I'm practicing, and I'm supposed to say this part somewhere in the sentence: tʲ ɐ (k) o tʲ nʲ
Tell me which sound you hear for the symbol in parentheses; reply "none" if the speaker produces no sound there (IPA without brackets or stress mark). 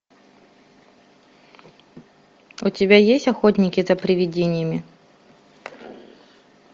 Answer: x